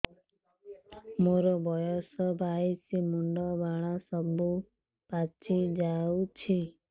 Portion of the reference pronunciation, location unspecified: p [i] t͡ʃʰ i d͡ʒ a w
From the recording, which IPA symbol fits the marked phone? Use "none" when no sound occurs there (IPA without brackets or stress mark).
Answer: a